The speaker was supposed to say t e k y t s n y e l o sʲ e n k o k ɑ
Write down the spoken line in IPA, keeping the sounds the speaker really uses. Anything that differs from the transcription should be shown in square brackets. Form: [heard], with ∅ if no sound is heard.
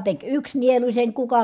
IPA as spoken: t e k y [k] s n [i] e l [u] sʲ e n k [u] k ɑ